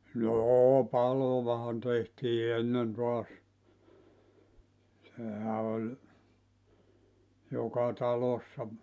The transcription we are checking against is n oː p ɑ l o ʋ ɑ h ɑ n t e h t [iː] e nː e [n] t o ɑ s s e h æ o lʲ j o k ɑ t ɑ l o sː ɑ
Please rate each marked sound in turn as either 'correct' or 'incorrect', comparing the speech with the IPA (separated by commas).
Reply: correct, correct